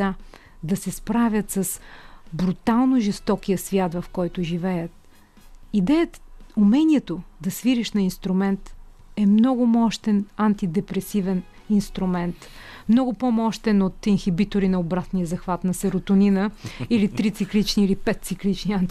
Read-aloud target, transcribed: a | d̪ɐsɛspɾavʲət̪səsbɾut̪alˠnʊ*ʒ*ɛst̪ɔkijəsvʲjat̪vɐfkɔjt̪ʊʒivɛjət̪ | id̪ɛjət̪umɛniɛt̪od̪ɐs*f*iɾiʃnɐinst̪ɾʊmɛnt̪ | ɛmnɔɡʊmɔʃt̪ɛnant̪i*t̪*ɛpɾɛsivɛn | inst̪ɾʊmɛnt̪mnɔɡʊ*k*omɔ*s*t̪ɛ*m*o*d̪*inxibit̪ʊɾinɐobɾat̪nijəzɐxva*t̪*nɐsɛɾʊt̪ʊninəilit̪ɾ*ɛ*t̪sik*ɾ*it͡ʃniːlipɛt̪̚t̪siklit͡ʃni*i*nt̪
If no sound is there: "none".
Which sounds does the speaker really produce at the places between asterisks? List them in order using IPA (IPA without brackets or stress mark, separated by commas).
ʒ, v, d̪, p, ʃ, n, t̪, t̪, i, l, a